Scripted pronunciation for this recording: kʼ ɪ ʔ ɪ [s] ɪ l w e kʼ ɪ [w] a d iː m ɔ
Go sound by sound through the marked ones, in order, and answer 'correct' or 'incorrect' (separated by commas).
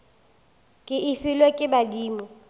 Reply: incorrect, incorrect